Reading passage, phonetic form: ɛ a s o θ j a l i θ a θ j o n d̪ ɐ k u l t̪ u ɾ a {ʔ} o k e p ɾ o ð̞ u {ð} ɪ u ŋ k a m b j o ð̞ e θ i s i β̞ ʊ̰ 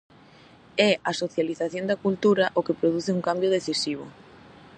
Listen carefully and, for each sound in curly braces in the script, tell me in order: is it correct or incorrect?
correct, incorrect: θ

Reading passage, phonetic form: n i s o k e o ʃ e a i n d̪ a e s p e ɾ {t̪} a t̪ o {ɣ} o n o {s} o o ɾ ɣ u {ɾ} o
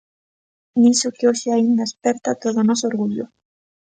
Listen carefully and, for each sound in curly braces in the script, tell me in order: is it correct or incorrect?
correct, incorrect: ð, correct, incorrect: ʎ

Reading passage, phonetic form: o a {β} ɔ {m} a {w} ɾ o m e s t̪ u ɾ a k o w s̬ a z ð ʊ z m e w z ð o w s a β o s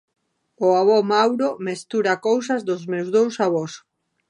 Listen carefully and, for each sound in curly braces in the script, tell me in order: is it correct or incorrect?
correct, correct, correct

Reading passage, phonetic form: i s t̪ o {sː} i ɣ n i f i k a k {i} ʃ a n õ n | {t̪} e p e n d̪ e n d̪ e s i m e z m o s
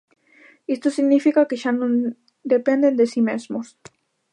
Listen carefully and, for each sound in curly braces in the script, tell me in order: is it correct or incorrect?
incorrect: s, incorrect: e, incorrect: d̪

